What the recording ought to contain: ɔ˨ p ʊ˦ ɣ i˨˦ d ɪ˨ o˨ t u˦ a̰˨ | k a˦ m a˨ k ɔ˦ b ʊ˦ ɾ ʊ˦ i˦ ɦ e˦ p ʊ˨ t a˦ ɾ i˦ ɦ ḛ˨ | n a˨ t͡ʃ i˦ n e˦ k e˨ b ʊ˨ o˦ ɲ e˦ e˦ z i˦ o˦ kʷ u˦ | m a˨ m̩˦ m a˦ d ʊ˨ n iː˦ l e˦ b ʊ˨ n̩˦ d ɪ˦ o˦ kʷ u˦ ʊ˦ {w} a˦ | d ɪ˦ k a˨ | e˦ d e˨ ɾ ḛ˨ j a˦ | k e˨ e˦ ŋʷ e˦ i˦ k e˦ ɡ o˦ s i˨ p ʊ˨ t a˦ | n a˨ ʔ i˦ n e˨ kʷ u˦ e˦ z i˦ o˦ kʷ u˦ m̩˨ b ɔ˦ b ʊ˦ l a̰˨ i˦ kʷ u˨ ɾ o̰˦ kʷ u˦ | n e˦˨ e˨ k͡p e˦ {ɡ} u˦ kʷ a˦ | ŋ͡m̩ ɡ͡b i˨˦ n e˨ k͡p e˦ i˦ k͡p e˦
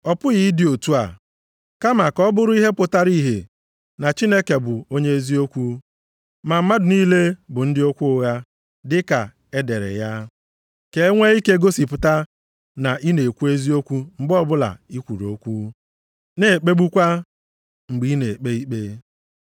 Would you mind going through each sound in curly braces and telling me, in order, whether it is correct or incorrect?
incorrect: ɣ, incorrect: ɡ͡b

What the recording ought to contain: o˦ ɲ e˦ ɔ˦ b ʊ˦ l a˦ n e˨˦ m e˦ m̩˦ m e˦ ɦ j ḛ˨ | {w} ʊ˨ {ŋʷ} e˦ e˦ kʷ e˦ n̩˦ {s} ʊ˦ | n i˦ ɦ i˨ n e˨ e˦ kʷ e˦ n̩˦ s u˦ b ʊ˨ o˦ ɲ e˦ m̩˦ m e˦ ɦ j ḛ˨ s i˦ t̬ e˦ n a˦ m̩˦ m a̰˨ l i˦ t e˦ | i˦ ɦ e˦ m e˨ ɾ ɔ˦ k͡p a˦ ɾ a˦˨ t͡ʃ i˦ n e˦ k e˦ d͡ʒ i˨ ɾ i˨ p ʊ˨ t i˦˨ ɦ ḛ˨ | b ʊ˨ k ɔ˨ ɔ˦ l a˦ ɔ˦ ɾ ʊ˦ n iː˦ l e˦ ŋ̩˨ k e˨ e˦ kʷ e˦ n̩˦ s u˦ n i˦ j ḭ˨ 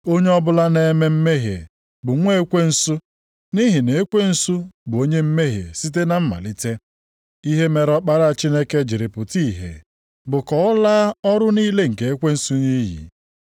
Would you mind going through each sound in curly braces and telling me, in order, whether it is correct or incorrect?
incorrect: b, correct, correct

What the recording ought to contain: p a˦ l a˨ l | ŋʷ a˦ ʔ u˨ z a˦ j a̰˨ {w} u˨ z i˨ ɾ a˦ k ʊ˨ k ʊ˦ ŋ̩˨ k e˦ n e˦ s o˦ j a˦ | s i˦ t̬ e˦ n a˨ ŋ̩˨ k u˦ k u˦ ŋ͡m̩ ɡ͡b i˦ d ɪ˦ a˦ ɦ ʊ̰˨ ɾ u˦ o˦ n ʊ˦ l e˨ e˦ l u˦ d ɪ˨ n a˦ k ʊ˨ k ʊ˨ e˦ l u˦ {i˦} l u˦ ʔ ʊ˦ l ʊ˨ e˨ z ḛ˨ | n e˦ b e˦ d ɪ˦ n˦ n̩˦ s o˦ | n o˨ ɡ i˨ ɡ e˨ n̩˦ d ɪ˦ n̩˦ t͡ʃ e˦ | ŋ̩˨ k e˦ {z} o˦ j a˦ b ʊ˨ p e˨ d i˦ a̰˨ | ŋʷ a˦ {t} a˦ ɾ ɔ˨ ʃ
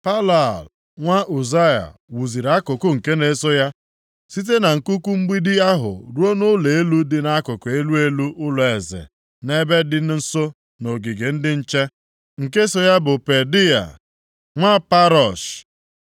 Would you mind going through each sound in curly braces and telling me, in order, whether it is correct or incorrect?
correct, incorrect: e˦, incorrect: s, incorrect: p

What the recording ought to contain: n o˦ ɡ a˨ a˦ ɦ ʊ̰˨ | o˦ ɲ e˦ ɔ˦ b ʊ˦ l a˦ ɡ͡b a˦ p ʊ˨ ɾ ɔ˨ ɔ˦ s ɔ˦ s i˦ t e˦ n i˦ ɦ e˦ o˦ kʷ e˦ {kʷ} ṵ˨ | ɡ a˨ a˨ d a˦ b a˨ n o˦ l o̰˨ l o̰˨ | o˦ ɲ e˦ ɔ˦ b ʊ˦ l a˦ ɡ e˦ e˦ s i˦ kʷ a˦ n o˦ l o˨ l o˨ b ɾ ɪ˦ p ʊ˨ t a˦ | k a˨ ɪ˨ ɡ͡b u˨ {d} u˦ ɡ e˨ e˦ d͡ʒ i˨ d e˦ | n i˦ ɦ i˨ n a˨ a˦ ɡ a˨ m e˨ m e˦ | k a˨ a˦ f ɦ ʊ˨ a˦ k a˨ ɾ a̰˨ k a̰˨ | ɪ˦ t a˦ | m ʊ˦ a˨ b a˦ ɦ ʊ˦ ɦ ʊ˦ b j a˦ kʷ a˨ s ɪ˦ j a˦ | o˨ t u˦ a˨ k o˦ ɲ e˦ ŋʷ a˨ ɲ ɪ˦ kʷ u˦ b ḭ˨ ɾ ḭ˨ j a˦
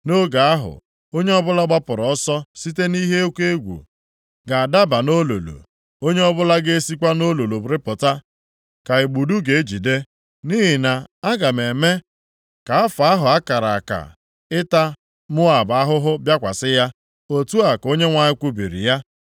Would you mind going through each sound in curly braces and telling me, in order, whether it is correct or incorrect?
incorrect: ɡʷ, correct

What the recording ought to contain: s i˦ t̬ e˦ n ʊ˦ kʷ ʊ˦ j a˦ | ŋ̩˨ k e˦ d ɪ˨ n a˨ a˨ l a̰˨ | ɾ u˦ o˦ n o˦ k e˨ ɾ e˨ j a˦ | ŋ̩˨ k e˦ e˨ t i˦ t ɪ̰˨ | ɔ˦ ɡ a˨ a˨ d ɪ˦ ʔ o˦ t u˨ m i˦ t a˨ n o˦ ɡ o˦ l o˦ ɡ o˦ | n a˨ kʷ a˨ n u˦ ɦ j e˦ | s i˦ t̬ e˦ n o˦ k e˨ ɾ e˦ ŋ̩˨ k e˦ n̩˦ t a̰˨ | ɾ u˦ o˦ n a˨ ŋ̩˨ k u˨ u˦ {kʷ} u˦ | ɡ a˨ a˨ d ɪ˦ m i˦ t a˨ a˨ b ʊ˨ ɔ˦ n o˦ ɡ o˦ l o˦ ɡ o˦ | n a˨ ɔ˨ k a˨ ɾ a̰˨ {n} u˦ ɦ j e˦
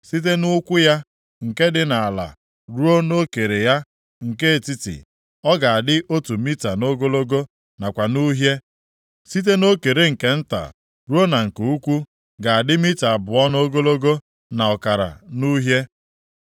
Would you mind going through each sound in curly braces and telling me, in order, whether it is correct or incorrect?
correct, correct

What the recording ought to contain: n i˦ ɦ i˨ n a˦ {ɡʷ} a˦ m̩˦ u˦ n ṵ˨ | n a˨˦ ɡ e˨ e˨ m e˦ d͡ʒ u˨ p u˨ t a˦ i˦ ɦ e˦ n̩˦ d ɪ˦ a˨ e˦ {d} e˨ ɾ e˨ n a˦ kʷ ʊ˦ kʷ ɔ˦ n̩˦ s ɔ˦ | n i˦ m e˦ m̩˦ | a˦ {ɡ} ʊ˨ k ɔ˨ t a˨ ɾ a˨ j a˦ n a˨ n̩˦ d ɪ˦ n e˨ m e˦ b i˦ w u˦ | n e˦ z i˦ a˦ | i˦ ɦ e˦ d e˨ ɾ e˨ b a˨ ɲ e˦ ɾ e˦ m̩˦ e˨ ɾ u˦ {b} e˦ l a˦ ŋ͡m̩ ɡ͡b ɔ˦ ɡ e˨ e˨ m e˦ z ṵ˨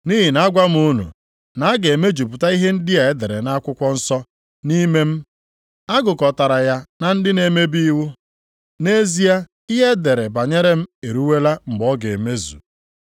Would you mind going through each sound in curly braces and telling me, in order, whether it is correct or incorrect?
correct, correct, correct, incorrect: w

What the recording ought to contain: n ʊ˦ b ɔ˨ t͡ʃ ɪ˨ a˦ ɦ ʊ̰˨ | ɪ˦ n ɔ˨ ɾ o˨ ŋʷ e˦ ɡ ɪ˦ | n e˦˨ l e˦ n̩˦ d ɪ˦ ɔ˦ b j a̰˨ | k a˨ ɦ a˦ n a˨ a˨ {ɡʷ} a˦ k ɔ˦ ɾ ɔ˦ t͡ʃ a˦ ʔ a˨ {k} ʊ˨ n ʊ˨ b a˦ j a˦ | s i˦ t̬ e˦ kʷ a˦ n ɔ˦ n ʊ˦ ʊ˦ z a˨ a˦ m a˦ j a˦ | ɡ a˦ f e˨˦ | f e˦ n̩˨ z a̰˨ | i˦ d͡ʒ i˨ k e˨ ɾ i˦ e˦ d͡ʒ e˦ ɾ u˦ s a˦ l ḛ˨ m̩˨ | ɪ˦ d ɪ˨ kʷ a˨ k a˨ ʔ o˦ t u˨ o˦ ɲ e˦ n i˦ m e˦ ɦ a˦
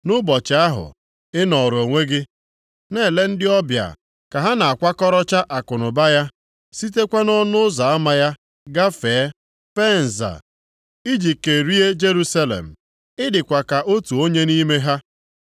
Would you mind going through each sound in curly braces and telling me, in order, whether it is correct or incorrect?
incorrect: kʷ, correct

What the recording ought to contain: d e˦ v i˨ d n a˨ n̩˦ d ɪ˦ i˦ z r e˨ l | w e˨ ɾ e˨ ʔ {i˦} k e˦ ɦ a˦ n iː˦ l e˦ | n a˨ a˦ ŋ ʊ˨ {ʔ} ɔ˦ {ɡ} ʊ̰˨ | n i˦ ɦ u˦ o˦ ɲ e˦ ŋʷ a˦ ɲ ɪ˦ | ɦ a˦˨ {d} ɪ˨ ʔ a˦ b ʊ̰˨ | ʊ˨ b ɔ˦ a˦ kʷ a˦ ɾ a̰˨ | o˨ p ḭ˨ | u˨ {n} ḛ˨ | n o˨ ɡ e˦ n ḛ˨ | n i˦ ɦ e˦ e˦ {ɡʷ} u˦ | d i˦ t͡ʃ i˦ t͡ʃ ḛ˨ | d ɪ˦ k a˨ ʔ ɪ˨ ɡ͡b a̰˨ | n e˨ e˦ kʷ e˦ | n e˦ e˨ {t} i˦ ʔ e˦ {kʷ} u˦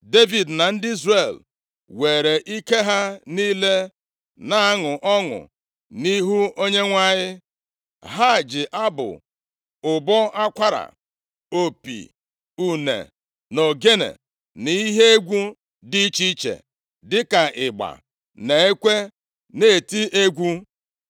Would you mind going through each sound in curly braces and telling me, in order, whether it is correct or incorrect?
correct, correct, incorrect: ŋ, incorrect: d͡ʒ, correct, correct, correct, incorrect: ɡʷ

